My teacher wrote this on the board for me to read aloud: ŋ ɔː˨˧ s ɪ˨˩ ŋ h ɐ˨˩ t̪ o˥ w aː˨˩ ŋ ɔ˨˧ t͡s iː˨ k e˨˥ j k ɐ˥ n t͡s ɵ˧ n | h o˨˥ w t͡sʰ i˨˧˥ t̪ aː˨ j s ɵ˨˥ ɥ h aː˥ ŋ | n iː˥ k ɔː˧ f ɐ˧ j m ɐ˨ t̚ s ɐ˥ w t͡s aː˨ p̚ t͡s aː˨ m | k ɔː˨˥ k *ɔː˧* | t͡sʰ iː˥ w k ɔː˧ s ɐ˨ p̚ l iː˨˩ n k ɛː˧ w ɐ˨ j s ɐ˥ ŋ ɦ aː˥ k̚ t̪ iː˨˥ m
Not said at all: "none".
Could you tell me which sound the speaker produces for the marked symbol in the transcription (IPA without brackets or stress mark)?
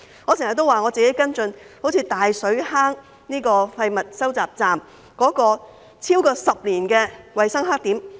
ɔː˧